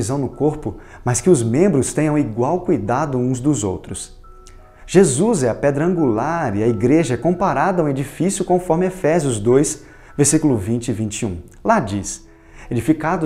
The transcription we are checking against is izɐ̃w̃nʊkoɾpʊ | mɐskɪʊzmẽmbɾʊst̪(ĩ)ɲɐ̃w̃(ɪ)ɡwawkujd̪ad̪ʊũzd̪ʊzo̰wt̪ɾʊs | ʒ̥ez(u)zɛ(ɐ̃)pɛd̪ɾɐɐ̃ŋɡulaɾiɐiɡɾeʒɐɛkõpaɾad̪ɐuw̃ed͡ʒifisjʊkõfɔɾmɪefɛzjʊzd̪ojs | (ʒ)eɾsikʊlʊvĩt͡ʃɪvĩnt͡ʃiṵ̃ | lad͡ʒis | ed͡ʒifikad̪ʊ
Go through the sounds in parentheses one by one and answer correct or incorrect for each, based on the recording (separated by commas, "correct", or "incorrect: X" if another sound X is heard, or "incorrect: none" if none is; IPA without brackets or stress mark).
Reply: incorrect: ẽ, incorrect: i, correct, incorrect: ɐ, incorrect: v